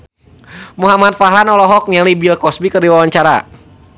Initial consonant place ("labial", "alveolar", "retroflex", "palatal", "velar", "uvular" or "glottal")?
labial